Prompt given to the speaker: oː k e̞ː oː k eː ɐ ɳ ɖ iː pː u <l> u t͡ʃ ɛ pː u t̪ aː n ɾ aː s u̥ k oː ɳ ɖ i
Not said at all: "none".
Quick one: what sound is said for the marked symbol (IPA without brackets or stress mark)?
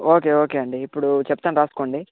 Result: ɽ